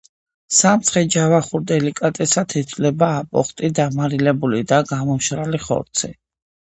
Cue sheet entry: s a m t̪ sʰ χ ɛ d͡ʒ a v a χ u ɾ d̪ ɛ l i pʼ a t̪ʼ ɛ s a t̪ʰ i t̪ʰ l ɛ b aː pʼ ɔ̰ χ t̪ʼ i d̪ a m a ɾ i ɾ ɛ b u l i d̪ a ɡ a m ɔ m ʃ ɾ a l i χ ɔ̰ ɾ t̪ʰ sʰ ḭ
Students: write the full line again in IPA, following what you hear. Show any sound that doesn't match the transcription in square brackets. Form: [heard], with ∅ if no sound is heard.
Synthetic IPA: s a m t̪ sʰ χ ɛ d͡ʒ a v a χ u ɾ d̪ ɛ l i [kʼ] a t̪ʼ ɛ s a t̪ʰ i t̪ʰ l ɛ b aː pʼ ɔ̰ χ t̪ʼ i d̪ a m a ɾ i [l] ɛ b u l i d̪ a ɡ a m ɔ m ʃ ɾ a l i χ ɔ̰ ɾ [t̪] sʰ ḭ

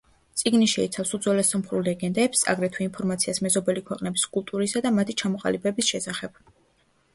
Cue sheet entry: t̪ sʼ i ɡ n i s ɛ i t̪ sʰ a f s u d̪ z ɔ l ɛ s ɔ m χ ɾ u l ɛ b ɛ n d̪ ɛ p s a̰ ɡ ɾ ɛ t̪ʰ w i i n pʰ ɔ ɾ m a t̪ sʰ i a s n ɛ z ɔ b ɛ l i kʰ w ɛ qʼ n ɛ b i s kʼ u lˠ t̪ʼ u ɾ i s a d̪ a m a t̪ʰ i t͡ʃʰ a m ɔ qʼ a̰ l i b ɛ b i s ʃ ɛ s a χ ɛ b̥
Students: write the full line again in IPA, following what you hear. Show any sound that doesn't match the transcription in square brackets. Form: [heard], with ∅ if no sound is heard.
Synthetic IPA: t̪ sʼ i ɡ n i [ʃ] ɛ i t̪ sʰ a f s u d̪ z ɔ l ɛ s ɔ m χ ɾ u l ɛ [ɡ] ɛ n d̪ ɛ p s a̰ ɡ ɾ ɛ t̪ʰ w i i n pʰ ɔ ɾ m a t̪ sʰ i a s [m] ɛ z ɔ b ɛ l i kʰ w ɛ qʼ n ɛ b i s kʼ u lˠ t̪ʼ u ɾ i s a d̪ a m a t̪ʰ i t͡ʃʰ a m ɔ qʼ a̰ l i b ɛ b i s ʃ ɛ s a χ ɛ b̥

